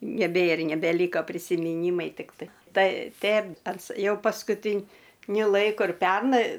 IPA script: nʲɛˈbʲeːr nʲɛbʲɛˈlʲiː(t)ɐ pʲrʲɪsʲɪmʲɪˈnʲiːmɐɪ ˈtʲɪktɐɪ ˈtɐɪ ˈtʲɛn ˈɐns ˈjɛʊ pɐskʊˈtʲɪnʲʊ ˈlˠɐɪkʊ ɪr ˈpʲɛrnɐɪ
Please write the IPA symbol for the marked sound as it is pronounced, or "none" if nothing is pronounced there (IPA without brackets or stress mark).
k